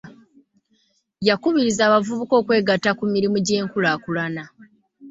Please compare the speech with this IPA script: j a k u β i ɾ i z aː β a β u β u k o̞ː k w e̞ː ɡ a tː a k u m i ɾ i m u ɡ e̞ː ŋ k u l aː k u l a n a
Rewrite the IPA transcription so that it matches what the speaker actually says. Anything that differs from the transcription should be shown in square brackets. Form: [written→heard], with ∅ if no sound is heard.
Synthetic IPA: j a k u β i ɾ i z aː β a [β→v] u β u k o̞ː k w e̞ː ɡ a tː a k u m i ɾ i m u [ɡ→ɟ] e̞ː ŋ k u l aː k u l a n a